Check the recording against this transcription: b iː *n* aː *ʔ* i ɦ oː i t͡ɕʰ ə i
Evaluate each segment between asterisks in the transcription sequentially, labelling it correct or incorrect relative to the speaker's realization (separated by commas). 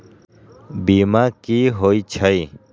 incorrect, incorrect